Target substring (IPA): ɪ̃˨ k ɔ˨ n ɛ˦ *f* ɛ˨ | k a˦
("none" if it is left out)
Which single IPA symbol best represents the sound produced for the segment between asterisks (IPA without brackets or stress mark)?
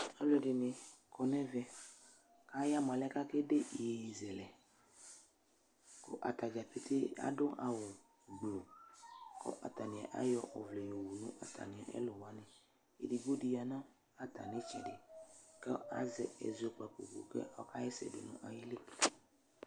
v